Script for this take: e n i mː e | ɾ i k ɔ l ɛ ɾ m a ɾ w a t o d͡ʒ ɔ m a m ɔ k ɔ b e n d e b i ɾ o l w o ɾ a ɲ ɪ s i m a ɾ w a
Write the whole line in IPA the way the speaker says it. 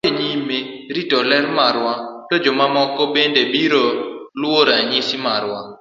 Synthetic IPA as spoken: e ɲ i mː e | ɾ i t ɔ l ɛ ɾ m a ɾ w a t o d͡ʒ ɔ m a m ɔ k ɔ b e n d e b i ɾ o l w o ɾ a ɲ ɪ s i m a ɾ w a